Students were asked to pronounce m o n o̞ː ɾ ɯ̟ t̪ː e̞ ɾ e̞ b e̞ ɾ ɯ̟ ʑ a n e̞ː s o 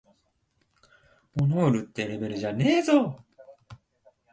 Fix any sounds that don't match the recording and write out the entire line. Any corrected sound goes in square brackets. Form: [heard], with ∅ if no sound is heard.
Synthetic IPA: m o n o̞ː ɾ ɯ̟ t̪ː e̞ ɾ e̞ b e̞ ɾ ɯ̟ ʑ a n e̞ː [z] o